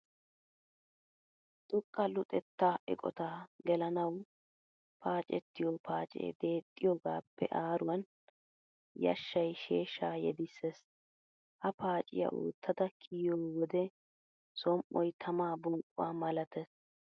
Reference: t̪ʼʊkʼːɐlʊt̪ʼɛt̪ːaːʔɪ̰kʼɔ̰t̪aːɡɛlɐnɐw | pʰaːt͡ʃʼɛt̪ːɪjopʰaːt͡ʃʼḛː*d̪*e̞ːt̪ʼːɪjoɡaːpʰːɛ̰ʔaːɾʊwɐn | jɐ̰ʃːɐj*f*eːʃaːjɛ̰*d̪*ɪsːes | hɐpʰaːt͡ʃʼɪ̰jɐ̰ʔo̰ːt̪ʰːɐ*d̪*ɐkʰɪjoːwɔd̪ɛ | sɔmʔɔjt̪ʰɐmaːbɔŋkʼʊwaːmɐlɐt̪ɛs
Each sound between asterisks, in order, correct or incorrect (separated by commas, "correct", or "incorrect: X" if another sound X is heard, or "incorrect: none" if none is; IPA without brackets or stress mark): correct, incorrect: ʃ, correct, correct